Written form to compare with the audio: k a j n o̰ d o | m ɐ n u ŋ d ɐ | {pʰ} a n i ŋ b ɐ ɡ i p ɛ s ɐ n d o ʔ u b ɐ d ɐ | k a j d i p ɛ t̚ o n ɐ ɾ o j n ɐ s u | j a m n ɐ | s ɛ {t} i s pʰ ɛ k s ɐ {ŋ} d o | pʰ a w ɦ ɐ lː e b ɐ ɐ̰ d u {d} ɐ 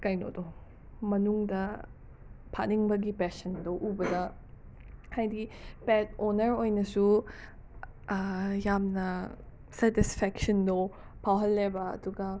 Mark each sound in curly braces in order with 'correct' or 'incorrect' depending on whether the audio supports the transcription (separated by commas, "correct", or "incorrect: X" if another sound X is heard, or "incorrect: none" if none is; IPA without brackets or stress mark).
correct, correct, incorrect: n, incorrect: ɡ